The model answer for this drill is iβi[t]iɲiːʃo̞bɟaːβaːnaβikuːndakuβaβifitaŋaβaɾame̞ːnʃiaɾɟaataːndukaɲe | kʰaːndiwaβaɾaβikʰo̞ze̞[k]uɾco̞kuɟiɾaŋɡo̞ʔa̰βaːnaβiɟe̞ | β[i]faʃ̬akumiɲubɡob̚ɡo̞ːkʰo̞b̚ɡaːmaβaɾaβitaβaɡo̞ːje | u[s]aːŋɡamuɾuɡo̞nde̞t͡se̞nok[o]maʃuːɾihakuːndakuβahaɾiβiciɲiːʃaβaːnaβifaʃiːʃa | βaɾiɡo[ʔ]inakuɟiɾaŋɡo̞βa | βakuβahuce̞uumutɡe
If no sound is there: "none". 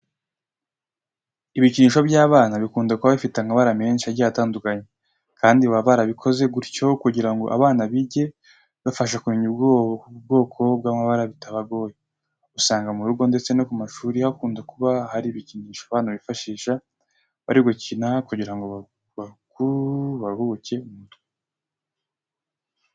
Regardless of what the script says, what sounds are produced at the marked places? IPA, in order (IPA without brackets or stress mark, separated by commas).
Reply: c, ɡ, a, s, u, c